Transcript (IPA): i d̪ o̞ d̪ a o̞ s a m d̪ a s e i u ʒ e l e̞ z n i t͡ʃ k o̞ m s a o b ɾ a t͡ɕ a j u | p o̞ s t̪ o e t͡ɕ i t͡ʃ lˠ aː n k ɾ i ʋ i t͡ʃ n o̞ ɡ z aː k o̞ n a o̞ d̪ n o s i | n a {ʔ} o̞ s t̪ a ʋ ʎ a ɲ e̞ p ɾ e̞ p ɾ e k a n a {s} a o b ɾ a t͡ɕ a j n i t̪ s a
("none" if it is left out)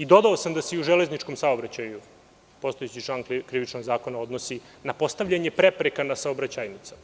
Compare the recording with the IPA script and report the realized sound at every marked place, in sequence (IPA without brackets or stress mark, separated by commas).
p, s